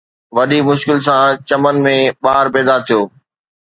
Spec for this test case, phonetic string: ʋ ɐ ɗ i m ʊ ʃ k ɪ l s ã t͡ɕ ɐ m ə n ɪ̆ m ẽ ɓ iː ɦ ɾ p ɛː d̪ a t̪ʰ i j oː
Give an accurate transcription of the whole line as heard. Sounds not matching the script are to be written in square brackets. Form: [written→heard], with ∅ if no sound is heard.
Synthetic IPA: ʋ ɐ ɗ i m ʊ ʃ k ɪ l s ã t͡ɕ ɐ m ə n ɪ̆ m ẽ ɓ [iː→aː] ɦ ɾ p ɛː d̪ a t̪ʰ i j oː